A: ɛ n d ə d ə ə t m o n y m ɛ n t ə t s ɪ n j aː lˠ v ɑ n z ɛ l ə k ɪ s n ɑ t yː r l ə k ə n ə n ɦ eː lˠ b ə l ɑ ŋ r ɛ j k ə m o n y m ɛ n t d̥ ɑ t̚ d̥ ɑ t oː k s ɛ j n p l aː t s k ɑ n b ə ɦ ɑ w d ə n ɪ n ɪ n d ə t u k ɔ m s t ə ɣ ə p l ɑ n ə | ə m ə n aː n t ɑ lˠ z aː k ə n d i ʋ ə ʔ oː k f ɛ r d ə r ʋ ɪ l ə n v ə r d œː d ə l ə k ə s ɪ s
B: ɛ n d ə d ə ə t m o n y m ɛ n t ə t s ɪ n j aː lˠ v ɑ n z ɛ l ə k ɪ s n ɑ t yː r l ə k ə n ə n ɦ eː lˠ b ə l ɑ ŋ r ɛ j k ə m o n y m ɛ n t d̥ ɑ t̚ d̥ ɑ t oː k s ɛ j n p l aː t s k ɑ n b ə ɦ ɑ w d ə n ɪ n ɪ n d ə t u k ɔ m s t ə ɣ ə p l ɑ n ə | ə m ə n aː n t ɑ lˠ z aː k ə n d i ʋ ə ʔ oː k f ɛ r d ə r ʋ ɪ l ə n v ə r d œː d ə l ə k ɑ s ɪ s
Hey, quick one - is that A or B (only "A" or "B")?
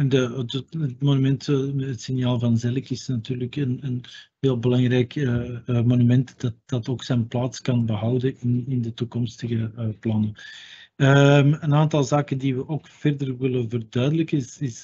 A